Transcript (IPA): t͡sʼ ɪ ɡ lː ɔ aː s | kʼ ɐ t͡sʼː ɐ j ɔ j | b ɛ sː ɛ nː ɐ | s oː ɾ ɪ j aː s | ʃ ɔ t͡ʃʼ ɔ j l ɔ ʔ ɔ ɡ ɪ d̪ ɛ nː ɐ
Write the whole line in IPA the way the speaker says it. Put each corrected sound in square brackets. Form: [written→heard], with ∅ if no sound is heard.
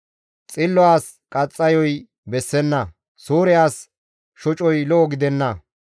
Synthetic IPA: t͡sʼ ɪ [ɡ→∅] lː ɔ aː s | kʼ ɐ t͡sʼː ɐ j ɔ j | b ɛ sː ɛ nː ɐ | s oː ɾ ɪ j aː s | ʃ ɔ t͡ʃʼ ɔ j l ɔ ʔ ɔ ɡ ɪ d̪ ɛ nː ɐ